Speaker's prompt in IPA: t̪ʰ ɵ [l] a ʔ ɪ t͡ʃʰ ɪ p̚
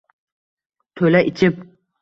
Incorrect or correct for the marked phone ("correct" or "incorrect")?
correct